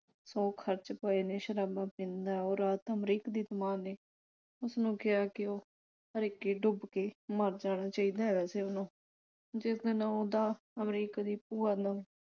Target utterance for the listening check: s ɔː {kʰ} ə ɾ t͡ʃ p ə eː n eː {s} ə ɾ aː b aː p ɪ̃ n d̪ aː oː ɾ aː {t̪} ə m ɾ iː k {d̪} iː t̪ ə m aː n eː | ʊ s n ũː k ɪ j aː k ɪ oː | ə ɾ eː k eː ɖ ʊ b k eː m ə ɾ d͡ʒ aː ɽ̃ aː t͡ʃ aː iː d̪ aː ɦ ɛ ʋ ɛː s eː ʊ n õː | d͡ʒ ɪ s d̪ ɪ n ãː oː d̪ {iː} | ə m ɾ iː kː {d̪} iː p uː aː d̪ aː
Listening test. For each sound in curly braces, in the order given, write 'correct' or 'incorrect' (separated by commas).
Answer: correct, incorrect, correct, correct, incorrect, correct